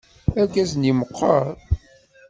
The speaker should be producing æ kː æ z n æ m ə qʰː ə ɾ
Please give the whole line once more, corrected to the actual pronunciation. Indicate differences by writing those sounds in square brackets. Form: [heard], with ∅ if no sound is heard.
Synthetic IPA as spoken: æ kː æ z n [i] m ə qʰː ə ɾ